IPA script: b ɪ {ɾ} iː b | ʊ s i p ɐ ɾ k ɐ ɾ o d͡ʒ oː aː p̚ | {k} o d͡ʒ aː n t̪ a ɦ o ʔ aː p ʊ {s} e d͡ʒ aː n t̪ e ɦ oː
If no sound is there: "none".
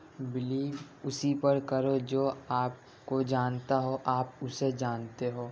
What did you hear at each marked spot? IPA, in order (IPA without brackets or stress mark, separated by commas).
l, k, s